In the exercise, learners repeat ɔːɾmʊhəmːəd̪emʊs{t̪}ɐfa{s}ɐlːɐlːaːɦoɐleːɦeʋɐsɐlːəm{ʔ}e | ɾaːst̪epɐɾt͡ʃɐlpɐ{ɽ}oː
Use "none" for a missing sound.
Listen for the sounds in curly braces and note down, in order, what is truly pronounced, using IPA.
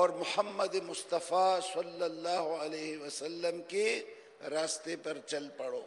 t̪, s, k, ɽ

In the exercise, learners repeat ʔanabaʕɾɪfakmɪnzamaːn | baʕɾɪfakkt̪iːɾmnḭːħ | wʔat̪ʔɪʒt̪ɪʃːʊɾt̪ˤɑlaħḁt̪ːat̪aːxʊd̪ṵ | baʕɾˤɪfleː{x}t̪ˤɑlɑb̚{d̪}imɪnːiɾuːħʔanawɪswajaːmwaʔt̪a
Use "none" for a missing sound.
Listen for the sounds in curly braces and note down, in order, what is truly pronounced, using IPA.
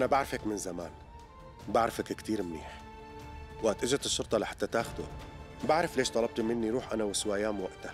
ʃ, t̪

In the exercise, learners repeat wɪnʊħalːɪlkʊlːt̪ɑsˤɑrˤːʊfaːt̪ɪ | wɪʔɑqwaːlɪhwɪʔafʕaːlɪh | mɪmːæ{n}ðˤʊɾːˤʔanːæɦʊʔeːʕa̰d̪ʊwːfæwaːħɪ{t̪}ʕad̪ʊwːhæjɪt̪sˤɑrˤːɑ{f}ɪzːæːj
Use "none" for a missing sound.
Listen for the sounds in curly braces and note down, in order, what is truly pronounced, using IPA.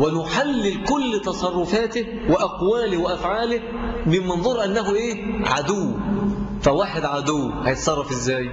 n, d̪, f

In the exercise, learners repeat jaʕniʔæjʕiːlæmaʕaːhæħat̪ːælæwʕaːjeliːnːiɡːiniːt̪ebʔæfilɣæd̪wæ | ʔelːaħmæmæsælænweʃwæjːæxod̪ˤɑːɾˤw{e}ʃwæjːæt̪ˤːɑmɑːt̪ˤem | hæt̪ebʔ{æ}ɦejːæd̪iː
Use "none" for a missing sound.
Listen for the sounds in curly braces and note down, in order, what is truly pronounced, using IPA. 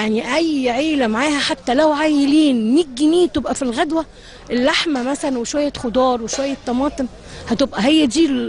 e, æ

